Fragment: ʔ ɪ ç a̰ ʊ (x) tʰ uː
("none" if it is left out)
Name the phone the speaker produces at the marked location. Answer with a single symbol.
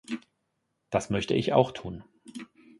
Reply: x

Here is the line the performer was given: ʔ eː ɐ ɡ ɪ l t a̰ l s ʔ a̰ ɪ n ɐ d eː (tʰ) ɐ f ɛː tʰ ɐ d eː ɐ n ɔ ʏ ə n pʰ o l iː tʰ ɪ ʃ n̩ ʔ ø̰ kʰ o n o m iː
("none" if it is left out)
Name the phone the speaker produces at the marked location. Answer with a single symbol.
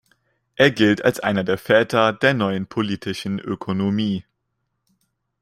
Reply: none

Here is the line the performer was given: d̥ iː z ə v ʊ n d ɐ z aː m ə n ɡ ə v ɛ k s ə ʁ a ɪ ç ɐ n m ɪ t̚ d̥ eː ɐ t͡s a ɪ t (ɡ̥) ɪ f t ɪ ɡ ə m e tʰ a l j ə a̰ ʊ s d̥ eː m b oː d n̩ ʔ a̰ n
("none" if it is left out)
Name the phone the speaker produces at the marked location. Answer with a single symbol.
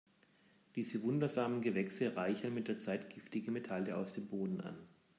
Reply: ɡ̥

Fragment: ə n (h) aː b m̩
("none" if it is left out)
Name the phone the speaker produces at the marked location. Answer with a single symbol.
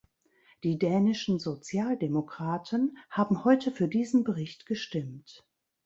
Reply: h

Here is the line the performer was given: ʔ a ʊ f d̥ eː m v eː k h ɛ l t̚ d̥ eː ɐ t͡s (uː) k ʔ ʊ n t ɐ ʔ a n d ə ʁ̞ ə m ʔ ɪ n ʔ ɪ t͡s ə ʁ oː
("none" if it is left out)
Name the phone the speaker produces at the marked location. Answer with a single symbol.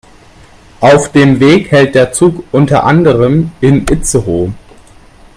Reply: uː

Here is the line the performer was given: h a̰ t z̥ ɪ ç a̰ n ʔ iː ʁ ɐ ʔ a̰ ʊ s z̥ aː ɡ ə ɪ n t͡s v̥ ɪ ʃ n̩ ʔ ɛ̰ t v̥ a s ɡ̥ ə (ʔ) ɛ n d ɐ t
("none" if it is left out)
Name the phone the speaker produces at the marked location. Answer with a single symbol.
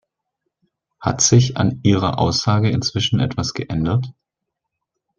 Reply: ʔ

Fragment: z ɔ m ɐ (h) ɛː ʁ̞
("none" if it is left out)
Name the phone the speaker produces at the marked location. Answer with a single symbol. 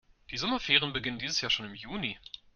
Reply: f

